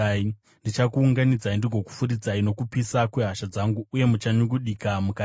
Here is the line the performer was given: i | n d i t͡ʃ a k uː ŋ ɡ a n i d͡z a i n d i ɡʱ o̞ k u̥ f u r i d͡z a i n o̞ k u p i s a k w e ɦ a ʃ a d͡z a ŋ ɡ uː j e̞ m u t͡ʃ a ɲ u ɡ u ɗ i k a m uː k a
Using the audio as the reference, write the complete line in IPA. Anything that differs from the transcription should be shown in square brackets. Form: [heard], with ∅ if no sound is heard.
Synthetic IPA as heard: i | n d i t͡ʃ a k uː ŋ ɡ a n i d͡z a i n d i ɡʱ o̞ k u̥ f u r i d͡z a i n o̞ k u p i s a k w e ɦ a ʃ a d͡z a ŋ ɡ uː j e̞ m u t͡ʃ a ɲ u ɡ u ɗ i k a m [u] k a